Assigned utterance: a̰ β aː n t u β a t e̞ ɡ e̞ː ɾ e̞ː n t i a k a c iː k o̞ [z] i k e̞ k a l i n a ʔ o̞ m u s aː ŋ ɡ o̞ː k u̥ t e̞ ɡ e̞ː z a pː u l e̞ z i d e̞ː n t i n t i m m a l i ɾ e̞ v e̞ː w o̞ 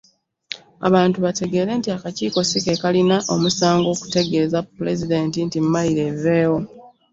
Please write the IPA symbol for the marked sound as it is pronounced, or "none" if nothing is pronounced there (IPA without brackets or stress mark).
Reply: s